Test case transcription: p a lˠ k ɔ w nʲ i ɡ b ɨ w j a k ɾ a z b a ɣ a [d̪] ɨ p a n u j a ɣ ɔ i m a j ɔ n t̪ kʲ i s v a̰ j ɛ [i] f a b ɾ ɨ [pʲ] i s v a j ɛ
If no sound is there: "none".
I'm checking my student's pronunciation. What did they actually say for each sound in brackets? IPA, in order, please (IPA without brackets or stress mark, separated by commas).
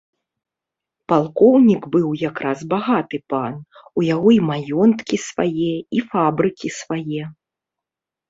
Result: t̪, i, kʲ